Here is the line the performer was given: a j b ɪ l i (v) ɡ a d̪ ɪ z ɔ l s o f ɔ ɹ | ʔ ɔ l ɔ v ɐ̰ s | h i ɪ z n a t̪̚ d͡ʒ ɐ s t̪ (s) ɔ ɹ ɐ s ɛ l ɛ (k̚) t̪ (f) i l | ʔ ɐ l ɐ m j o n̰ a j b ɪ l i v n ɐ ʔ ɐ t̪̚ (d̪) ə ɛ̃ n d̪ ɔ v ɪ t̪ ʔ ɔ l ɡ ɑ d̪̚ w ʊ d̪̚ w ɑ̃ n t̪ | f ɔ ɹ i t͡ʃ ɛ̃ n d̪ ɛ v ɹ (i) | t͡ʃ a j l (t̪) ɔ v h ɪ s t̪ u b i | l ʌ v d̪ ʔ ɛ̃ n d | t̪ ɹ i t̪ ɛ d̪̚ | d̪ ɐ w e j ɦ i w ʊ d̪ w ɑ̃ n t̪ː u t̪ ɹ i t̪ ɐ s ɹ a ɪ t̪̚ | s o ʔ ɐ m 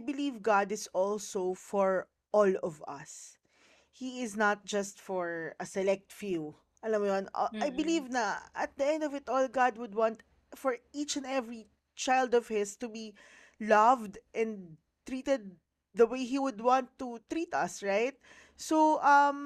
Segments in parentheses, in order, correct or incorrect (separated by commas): correct, incorrect, correct, correct, correct, correct, incorrect